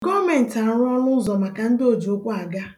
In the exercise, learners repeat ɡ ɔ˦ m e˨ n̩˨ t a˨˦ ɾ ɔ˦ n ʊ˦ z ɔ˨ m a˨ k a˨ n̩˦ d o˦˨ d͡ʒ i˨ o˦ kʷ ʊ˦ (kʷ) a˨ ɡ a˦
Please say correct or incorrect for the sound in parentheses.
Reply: incorrect